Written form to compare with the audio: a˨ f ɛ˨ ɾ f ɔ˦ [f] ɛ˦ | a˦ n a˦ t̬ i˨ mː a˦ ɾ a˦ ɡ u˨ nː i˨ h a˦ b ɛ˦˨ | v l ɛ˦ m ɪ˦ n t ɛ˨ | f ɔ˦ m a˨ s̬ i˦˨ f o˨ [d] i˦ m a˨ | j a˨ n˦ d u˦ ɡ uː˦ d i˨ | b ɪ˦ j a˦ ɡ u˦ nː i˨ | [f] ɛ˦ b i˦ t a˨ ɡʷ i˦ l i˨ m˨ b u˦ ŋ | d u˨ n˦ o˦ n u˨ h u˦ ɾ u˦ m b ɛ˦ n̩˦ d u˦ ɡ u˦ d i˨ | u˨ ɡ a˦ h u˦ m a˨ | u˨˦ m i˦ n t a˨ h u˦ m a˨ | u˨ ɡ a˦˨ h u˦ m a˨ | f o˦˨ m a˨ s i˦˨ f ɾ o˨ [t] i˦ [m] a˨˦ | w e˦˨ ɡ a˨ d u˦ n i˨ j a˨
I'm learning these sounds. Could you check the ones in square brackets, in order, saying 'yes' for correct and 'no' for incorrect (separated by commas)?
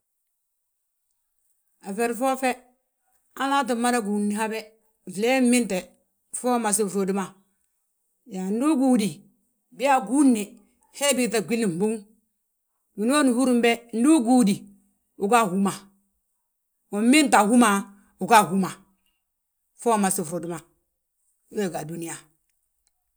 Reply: yes, yes, no, no, yes